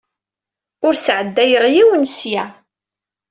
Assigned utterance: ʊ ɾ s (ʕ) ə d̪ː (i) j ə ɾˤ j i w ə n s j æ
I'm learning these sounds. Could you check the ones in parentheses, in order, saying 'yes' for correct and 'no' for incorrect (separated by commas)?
yes, no